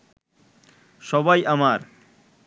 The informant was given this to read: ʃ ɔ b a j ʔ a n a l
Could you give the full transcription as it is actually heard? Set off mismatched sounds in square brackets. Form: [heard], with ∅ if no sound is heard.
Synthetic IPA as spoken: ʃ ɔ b a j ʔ a [m] a [ɾ]